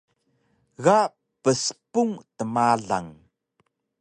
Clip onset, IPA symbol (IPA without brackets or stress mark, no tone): ɣ